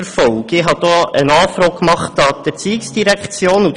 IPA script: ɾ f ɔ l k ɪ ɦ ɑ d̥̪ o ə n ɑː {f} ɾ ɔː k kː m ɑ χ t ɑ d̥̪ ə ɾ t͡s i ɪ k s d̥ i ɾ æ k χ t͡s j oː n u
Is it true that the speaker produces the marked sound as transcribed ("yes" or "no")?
yes